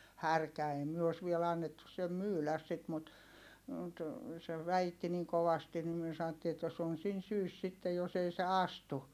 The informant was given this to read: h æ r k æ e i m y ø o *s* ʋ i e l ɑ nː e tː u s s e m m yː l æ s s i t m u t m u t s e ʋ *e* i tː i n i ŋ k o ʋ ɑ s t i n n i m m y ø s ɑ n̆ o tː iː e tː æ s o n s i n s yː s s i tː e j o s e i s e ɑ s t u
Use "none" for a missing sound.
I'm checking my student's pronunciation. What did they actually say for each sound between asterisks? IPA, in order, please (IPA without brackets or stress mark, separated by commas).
s, æ